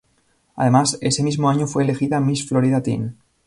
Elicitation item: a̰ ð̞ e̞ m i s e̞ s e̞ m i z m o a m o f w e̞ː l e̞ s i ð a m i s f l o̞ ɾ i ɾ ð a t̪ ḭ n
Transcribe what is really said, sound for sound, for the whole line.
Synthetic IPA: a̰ ð̞ e̞ m a s e̞ s e̞ m i z m o a ɲ o f w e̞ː l e̞ x i ð a m i s f l o̞ ɾ i ð a t̪ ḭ n